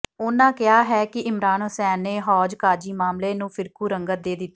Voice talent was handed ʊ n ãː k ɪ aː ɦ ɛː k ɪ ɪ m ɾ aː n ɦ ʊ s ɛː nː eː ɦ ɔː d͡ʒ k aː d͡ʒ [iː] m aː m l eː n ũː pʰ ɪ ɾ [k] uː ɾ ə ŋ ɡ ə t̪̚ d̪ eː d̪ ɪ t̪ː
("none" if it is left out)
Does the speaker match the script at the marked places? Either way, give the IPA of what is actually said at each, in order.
iː, k

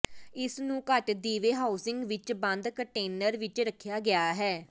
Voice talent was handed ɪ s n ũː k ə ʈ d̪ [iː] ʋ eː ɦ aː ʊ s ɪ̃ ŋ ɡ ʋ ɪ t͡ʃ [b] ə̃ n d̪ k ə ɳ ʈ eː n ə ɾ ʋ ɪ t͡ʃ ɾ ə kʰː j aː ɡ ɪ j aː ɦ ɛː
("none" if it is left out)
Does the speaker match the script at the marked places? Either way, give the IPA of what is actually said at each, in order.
iː, b

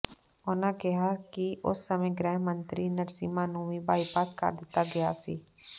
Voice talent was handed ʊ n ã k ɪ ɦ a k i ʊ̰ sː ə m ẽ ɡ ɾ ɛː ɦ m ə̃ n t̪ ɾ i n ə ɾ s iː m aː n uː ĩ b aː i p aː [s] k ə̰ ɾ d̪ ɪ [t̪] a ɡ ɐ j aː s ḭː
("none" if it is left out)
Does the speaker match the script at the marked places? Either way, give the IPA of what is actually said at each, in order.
s, t̪

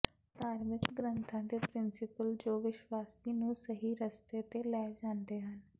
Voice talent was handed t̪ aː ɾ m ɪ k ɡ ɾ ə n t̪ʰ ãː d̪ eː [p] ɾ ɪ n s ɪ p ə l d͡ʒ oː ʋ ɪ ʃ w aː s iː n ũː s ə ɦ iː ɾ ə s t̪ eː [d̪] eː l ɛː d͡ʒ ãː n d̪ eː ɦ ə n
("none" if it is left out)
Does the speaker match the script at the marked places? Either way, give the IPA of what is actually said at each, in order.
p, t̪

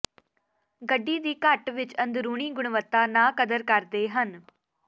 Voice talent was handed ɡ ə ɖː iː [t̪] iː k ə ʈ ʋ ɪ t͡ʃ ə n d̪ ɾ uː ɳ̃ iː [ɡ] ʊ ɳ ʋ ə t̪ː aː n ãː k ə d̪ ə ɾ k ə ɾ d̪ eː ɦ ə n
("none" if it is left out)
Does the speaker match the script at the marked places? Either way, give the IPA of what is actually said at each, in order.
d̪, ɡ

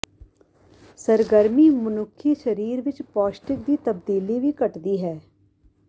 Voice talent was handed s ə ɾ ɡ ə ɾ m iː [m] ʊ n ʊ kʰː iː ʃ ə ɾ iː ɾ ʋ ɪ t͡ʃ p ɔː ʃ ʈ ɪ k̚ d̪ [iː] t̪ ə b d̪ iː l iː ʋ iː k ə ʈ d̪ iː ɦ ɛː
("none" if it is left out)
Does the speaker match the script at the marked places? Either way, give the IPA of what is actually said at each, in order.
m, iː

